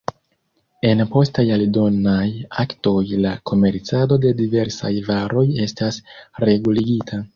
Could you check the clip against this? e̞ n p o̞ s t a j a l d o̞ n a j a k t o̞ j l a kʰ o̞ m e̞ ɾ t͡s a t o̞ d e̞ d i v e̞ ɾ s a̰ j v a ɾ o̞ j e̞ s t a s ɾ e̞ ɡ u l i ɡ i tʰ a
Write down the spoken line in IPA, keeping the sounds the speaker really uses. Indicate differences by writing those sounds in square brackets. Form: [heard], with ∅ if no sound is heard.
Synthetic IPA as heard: e̞ n p o̞ s t a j a l d o̞ n a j a k t o̞ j l a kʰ o̞ m e̞ ɾ t͡s a [d] o̞ d e̞ d i v e̞ ɾ s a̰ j v a ɾ o̞ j e̞ s t a s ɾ e̞ ɡ u l i ɡ i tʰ a